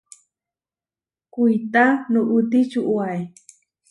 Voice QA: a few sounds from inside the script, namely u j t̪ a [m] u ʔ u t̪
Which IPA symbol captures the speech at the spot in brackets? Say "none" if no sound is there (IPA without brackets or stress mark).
n